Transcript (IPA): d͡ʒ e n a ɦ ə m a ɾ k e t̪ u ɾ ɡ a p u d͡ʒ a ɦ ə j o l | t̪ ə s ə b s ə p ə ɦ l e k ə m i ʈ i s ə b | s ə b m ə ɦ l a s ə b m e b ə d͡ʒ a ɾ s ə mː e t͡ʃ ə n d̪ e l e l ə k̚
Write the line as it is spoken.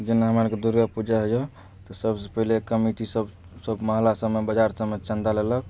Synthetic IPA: d͡ʒ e n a ɦ ə m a ɾ k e d̪ u ɾ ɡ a p u d͡ʒ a ɦ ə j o | t̪ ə s ə b s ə p ə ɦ l e k ə m i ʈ i s ə b | s ə b m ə ɦ l a s ə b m e b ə d͡ʒ a ɾ s ə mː e t͡ʃ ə n d̪ a l e l ə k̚

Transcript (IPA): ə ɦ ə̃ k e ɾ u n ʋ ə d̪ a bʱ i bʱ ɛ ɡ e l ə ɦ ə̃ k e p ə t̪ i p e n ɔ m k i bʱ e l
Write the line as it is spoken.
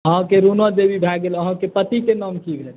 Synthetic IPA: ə ɦ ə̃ k e ɾ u n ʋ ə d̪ e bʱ i bʱ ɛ ɡ e l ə ɦ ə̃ k e p ə t̪ i k e n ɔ m k i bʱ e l

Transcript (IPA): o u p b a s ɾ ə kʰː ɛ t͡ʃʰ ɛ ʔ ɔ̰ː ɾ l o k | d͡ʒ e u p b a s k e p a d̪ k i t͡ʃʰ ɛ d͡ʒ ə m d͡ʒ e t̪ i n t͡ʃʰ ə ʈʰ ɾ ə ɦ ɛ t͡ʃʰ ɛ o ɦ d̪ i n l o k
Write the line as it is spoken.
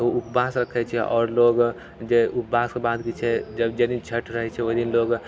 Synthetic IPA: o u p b a s ɾ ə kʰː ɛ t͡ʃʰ ɛ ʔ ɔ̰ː ɾ l o ɡ | d͡ʒ e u p b a s k e b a d̪ k i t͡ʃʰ ɛ d͡ʒ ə b d͡ʒ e d̪ i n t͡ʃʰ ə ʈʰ ɾ ə ɦ ɛ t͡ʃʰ ɛ o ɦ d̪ i n l o ɡ

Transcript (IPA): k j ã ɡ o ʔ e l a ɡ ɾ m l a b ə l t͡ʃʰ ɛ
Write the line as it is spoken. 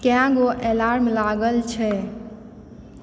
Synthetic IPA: k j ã ɡ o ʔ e l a ɾ m l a ɡ ə l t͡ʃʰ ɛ

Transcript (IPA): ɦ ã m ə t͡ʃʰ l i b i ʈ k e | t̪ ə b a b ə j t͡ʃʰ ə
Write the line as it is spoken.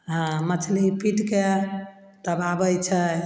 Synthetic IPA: ɦ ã m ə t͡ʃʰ l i p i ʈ k e | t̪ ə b a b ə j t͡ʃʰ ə

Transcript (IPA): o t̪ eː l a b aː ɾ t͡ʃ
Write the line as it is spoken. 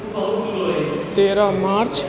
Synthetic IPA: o t̪ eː ɾ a m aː ɾ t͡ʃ

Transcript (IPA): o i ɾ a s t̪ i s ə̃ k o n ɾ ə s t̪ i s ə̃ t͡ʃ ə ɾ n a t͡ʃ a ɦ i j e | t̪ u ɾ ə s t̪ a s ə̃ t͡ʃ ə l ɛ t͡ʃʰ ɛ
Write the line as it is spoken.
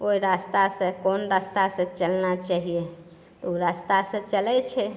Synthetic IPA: o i ɾ a s t̪ a s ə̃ k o n ɾ a s t̪ a s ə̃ t͡ʃ ə l n a t͡ʃ a ɦ i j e | t̪ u ɾ a s t̪ a s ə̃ t͡ʃ ə l ɛ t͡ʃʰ ɛ

